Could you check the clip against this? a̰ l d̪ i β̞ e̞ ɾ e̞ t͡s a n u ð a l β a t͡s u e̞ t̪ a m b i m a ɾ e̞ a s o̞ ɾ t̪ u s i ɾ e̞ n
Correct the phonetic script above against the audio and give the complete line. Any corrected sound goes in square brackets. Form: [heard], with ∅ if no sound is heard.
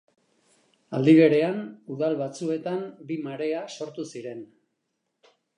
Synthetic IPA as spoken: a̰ l d̪ i β̞ e̞ ɾ e̞ [∅] a n u ð a l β a t͡s u e̞ t̪ a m b i m a ɾ e̞ a s o̞ ɾ t̪ u s i ɾ e̞ n